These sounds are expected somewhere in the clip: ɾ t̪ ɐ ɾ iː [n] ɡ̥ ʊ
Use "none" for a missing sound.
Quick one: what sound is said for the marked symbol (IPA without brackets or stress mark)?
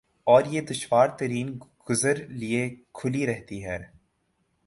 n